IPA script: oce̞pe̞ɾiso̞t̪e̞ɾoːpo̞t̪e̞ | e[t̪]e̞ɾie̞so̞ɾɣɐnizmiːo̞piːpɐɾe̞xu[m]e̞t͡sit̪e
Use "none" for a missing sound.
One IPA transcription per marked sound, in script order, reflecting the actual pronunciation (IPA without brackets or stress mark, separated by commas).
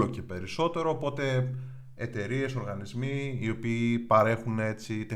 t̪, n